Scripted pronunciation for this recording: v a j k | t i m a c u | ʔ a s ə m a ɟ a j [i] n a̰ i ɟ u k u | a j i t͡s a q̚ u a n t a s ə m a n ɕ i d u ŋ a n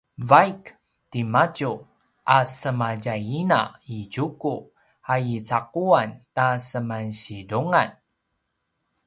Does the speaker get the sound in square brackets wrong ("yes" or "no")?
no